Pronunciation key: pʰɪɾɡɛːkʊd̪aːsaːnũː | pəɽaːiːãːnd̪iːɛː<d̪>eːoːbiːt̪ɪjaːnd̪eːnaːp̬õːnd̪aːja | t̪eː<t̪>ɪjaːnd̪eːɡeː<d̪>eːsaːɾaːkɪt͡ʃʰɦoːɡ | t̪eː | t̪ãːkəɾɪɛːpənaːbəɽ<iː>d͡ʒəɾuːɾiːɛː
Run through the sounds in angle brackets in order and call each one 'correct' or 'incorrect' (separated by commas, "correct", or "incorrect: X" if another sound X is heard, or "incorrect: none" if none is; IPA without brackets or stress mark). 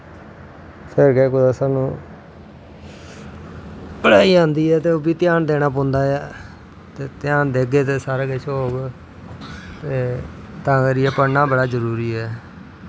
incorrect: t̪, correct, incorrect: t̪, incorrect: aː